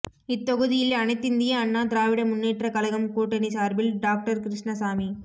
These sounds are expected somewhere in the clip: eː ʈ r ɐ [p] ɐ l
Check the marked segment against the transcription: incorrect: k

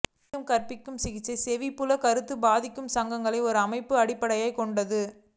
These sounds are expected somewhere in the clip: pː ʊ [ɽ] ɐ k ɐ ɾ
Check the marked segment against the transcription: incorrect: l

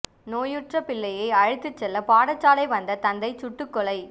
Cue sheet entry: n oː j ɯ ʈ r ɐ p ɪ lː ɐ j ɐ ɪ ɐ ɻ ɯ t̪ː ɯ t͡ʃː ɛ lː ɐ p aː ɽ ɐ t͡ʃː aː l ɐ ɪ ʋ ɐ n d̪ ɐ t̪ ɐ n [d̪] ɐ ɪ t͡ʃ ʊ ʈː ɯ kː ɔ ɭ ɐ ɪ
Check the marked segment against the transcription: correct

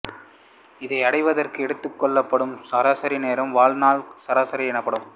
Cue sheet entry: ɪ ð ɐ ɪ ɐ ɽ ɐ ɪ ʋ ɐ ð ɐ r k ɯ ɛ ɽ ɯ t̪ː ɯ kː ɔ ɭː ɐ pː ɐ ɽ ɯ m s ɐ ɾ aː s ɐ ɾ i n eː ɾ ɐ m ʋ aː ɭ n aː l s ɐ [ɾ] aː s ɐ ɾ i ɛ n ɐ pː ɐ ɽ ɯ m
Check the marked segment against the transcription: correct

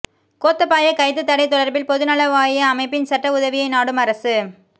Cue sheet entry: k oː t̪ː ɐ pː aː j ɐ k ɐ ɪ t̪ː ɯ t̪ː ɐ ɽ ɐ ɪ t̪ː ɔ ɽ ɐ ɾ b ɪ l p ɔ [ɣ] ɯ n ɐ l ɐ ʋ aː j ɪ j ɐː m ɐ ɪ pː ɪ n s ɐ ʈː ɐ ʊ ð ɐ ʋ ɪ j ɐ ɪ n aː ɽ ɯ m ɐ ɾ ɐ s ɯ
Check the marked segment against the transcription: incorrect: ð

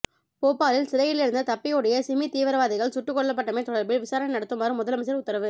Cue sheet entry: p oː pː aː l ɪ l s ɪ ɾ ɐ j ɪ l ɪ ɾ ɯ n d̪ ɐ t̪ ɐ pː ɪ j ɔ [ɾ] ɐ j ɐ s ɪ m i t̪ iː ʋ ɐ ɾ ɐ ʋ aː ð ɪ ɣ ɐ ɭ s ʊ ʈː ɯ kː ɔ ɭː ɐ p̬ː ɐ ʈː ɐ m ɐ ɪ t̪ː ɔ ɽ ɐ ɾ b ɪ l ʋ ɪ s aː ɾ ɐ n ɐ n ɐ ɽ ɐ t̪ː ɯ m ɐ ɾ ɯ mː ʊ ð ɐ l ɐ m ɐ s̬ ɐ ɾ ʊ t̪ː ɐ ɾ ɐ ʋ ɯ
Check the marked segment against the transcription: incorrect: ɽ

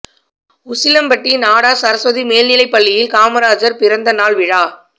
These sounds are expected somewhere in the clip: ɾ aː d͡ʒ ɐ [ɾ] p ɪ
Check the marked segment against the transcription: correct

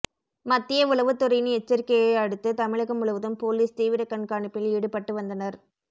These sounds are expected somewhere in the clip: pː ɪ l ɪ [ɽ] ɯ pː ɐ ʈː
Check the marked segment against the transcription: correct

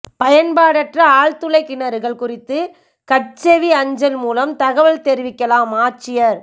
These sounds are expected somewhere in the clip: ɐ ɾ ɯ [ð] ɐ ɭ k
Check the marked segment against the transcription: incorrect: ɣ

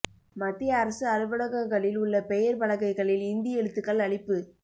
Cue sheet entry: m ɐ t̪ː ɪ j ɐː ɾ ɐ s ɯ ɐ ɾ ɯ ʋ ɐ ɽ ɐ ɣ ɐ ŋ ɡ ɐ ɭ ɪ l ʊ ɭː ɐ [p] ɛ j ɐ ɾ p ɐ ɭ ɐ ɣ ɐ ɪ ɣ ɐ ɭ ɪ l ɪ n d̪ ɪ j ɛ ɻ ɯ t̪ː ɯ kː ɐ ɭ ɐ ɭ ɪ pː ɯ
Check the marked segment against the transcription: correct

